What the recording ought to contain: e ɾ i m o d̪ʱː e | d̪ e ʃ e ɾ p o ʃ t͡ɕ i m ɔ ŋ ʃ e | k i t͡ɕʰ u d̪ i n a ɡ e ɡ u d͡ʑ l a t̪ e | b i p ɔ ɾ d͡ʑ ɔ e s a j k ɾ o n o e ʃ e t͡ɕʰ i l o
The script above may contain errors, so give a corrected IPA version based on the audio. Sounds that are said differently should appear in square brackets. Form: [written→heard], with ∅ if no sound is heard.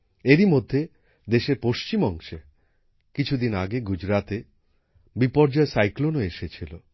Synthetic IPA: e ɾ i m o d̪ʱː e | d̪ e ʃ e ɾ p o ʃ t͡ɕ i m ɔ ŋ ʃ e | k i t͡ɕʰ u d̪ i n a ɡ e ɡ u d͡ʑ [l→ɾ] a t̪ e | b i p ɔ ɾ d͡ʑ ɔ e s a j k [ɾ→l] o n o e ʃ e t͡ɕʰ i l o